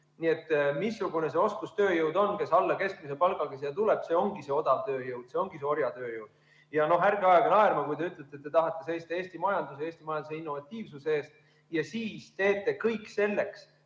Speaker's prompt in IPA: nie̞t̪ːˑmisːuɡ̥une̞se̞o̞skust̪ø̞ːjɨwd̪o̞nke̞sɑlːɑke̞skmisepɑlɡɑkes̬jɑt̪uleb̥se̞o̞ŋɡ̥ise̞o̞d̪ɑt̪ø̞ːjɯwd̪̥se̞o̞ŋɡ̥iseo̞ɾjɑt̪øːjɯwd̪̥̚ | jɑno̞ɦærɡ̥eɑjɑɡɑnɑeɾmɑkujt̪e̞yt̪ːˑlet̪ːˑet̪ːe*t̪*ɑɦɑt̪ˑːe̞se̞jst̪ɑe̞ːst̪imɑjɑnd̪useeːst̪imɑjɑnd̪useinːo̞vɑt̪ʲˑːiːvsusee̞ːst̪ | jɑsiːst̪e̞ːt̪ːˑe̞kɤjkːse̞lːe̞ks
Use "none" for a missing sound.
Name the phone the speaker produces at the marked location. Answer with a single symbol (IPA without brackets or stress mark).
t̪